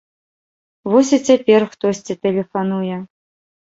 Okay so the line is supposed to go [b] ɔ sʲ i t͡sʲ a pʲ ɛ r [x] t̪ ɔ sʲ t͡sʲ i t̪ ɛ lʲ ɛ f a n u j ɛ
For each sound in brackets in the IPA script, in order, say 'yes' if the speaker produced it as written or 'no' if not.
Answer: no, yes

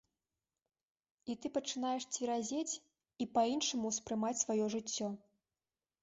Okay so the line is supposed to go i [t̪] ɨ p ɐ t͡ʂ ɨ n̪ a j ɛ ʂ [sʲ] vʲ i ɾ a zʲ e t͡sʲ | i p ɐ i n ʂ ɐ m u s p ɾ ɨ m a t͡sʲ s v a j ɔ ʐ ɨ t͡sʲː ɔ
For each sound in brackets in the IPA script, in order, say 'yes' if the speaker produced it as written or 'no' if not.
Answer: yes, no

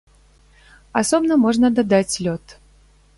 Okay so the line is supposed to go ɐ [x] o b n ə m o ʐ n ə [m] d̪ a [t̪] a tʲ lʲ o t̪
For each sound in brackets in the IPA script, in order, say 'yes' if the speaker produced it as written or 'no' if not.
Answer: no, no, no

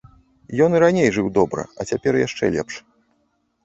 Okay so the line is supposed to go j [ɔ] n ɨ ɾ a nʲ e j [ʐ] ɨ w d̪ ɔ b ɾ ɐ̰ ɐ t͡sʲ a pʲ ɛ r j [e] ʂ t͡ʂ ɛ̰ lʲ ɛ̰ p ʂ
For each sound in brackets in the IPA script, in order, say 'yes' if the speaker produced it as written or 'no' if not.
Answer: yes, yes, no

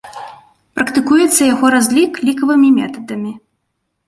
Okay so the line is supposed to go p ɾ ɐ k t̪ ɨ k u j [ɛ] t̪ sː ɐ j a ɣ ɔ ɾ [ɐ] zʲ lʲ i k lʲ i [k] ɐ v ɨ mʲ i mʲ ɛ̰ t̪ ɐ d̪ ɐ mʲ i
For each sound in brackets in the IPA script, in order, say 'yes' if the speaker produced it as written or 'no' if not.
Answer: yes, no, yes

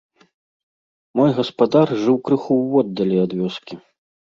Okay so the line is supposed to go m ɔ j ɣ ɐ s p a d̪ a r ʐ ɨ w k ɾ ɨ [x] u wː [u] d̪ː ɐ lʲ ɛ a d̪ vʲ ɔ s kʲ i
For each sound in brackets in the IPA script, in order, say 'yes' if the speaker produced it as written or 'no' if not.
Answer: yes, no

